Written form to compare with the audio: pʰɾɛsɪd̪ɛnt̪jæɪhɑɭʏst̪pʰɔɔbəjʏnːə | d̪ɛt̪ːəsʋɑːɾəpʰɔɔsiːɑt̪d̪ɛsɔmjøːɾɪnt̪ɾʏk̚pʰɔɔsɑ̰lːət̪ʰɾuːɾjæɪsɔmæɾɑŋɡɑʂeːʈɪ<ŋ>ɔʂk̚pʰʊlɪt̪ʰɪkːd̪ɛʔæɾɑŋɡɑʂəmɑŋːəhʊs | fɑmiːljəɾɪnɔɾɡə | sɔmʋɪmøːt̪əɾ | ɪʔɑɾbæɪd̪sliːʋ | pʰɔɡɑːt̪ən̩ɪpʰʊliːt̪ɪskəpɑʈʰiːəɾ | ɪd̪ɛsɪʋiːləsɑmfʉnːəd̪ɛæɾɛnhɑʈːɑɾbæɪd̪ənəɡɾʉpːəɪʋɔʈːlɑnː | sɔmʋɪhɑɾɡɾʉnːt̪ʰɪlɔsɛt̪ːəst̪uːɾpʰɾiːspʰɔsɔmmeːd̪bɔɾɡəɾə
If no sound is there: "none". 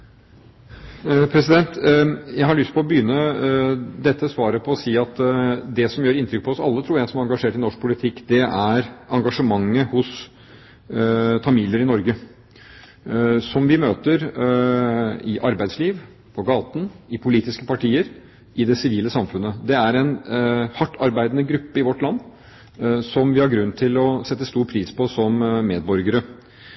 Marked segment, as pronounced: n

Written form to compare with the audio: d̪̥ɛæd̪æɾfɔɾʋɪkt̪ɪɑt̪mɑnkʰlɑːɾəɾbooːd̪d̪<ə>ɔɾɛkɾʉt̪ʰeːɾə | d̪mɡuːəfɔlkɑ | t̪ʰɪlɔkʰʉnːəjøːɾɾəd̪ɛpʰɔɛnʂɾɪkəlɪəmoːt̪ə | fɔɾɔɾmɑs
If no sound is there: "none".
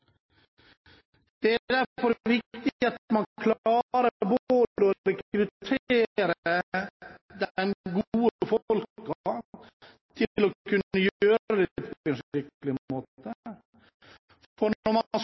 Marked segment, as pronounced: ə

